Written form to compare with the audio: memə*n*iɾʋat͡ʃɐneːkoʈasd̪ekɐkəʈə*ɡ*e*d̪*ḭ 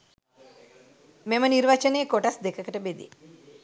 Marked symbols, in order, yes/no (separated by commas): yes, no, yes